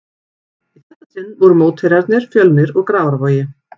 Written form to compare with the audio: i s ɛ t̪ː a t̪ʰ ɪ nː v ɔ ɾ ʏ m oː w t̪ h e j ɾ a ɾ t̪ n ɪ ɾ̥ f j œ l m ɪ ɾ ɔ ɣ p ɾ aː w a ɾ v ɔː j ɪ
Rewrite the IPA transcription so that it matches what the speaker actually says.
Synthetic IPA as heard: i θ ɛ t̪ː a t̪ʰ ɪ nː v ɔ ɾ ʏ m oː w t̪ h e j ɾ a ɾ t̪ n ɪ ɾ̥ f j œ l m ɪ ɾ ɔ ɣ k ɾ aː w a ɾ v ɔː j ɪ

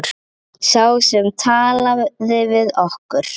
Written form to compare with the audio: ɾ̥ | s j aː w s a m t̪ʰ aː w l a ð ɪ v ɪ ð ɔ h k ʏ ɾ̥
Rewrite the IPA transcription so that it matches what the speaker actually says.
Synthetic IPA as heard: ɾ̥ | s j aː w s ɛ m t̪ʰ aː l a ð ɪ v ɪ ð ɔ h k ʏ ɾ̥

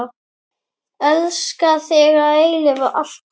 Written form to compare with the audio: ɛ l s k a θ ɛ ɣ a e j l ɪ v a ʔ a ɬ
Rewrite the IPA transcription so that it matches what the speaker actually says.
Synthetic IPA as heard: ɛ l s k a θ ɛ ɣ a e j l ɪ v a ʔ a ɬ

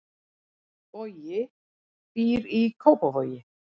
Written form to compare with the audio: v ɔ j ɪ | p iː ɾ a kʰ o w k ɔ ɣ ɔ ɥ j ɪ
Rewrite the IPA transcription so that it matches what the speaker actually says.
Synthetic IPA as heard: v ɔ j ɪ | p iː ɾ i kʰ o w p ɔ v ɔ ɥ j ɪ

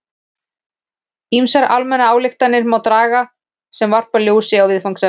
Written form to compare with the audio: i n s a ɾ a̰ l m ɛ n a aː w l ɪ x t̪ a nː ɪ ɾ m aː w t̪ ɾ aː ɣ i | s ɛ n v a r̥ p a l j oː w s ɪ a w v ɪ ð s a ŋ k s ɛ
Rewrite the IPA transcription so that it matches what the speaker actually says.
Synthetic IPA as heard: i m s a ɾ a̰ l m ɛ n a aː w l ɪ x t̪ a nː ɪ ɾ m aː w t̪ ɾ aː ɣ a | s ɛ m v a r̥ p a l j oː w s ɪ a w v ɪ ð f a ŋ k s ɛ

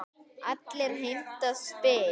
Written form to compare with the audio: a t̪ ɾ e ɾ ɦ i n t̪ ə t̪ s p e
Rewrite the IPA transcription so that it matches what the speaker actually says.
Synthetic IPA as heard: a t̪ l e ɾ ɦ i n t̪ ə s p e

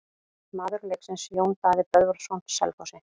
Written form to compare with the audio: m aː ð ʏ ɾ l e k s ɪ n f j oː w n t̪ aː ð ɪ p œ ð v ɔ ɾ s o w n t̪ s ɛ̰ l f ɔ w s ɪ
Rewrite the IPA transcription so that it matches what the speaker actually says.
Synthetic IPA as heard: m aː ð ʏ ɾ l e k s ɪ n s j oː w n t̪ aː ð ɪ p œ ð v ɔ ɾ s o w n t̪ s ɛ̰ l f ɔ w s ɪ

